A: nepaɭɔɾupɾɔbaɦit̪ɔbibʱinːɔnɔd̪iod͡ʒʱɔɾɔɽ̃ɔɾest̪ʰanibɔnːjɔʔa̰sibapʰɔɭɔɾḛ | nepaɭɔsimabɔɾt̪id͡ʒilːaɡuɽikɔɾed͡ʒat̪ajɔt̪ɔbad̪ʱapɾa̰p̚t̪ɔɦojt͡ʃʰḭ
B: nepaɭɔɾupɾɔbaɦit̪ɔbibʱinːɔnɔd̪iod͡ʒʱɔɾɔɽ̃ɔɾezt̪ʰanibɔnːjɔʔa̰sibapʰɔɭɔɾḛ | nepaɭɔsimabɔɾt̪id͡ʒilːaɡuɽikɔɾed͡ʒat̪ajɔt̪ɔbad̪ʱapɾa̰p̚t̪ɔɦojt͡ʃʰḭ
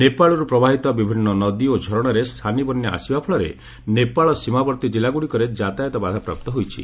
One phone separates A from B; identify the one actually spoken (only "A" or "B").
A